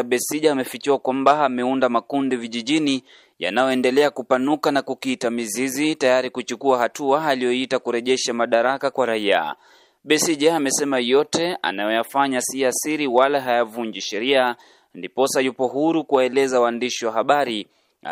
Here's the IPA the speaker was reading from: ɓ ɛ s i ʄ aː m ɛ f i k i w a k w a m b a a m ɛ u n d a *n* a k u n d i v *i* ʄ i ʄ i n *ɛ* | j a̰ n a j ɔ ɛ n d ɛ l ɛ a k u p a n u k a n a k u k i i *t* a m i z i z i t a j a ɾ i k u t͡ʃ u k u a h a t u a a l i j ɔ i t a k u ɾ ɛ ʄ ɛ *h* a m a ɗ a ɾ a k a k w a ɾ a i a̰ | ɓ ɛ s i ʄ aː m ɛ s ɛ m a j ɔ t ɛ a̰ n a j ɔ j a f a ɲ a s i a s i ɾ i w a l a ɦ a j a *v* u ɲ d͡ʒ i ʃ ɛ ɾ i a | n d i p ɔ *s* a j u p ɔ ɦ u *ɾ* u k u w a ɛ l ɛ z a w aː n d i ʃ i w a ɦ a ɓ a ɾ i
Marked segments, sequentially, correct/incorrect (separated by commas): incorrect, correct, incorrect, correct, incorrect, correct, correct, correct